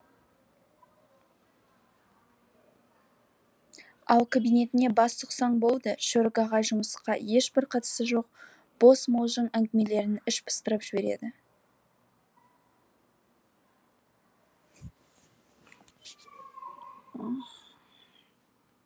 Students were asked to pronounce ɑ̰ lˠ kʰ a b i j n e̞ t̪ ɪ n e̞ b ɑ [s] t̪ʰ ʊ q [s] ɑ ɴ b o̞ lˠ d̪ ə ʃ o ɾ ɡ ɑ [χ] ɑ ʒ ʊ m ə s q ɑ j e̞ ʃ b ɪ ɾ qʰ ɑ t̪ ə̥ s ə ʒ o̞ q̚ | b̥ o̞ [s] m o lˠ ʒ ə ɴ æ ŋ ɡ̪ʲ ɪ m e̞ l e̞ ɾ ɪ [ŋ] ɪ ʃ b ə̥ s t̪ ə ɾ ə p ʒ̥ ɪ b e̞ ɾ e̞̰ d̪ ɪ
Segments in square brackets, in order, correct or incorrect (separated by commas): correct, correct, incorrect, correct, incorrect